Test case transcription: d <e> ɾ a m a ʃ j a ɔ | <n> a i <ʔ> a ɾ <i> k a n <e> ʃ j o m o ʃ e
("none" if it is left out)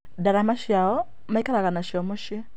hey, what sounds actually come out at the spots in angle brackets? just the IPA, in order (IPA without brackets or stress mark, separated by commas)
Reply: a, m, k, a, a